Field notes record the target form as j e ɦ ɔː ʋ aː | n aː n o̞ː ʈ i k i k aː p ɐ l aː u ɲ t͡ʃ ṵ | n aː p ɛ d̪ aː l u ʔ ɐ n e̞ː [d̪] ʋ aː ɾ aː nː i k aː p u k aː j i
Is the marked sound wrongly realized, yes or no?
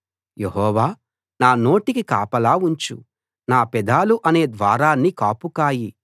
no